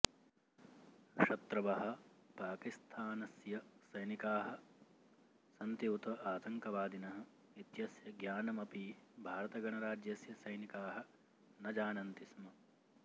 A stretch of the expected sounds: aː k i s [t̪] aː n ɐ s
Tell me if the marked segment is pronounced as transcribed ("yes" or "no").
no